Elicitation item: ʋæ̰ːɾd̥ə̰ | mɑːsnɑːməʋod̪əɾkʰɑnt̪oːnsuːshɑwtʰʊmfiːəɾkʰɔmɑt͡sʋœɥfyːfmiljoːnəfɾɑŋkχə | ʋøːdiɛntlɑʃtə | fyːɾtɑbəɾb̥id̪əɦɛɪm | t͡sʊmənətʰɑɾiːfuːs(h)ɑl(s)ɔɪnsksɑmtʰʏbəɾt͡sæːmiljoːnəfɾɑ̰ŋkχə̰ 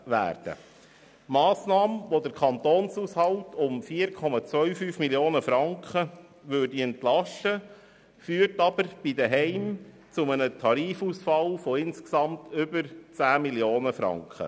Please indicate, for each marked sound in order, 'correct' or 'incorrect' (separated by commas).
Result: incorrect, incorrect